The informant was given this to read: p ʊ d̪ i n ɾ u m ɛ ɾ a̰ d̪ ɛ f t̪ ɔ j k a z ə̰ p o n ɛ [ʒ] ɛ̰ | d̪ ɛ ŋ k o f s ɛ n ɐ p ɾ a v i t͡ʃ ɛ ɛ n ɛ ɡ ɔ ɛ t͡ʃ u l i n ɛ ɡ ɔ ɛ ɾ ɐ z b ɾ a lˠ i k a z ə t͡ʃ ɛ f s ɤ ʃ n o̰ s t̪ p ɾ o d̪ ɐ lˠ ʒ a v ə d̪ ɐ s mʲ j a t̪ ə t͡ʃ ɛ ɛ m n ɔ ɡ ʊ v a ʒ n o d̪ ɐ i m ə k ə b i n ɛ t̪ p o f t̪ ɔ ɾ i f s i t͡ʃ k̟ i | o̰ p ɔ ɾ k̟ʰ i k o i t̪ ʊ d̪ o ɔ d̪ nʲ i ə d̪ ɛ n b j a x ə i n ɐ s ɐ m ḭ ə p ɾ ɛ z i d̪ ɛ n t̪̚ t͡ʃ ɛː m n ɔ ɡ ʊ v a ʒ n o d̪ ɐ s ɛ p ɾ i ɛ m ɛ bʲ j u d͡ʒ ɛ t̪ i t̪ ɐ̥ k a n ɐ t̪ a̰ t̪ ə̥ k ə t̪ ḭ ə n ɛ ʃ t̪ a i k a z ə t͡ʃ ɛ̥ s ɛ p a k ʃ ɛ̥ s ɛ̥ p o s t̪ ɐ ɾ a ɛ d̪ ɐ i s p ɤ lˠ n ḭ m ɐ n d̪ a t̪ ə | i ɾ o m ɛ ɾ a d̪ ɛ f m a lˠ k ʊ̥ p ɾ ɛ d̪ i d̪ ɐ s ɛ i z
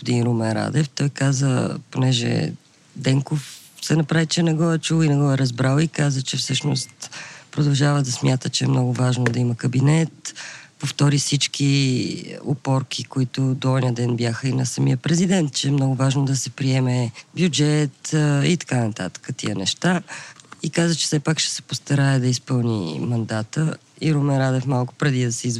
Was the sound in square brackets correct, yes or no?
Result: yes